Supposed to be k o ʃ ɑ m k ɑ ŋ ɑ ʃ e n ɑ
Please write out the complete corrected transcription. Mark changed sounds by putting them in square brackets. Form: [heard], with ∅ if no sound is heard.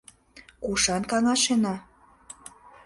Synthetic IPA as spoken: k [u] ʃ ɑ [n] k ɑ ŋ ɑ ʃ e n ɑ